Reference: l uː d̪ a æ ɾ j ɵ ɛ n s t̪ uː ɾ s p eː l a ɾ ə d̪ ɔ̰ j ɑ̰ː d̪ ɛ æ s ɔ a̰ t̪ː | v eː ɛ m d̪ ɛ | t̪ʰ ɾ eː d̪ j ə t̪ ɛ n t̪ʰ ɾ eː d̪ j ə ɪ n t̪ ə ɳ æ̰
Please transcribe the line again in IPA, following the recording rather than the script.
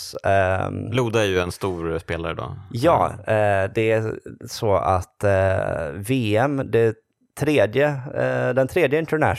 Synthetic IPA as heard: l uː d̪ a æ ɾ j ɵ ɛ n s t̪ uː ɾ s p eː l a ɾ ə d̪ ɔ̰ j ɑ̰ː d̪ ɛ æ s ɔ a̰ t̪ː | v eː ɛ m d̪ ɛ | t̪ʰ ɾ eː d̪ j ə d̪ ɛ n t̪ʰ ɾ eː d̪ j ə ɪ n t̪ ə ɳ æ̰